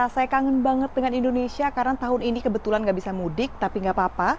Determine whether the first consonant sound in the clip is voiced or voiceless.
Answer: voiceless